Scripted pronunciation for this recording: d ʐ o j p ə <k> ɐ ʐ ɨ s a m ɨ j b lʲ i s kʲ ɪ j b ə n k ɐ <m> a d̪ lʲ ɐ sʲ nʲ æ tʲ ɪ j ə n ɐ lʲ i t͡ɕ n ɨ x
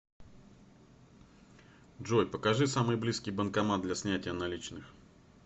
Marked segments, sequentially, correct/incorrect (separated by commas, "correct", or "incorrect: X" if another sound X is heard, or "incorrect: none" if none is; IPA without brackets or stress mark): correct, correct